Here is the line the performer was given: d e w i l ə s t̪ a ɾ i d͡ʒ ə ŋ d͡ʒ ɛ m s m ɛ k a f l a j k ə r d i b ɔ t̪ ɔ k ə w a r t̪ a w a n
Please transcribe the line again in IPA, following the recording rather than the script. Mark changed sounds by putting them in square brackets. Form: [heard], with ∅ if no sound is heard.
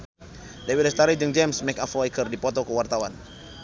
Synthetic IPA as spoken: d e w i l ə s t̪ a ɾ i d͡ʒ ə ŋ d͡ʒ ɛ m s m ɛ k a f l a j k ə r d i [p] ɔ t̪ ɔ k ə w a r t̪ a w a n